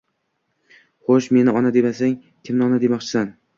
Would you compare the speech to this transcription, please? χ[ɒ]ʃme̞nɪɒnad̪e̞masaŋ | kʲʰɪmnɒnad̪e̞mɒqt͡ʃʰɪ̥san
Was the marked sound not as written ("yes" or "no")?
yes